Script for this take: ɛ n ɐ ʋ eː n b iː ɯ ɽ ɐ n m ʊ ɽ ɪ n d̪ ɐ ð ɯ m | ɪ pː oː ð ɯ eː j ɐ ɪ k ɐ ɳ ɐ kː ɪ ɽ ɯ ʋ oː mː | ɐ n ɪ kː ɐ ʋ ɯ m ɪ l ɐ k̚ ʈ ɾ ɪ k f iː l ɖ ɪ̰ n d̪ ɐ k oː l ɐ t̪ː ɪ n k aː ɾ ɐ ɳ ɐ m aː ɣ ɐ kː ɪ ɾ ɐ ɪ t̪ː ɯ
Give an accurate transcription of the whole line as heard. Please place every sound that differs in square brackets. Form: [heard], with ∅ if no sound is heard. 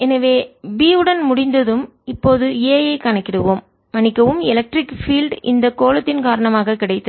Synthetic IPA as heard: ɛ n ɐ ʋ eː [∅] b iː ɯ ɽ ɐ n m ʊ ɽ ɪ n d̪ ɐ ð ɯ m | ɪ pː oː ð ɯ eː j ɐ ɪ k ɐ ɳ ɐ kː ɪ ɽ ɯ ʋ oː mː | ɐ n ɪ kː ɐ ʋ ɯ m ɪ l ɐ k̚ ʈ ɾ ɪ k f iː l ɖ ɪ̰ n d̪ ɐ k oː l ɐ t̪ː ɪ n k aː ɾ ɐ ɳ ɐ m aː ɣ ɐ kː ɪ [ɽ] ɐ ɪ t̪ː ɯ